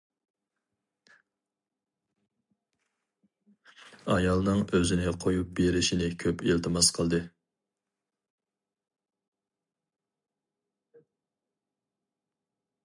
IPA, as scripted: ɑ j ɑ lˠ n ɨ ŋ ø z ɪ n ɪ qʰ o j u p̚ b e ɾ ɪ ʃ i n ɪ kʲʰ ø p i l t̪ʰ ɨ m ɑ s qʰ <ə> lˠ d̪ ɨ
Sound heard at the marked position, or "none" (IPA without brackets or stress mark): ə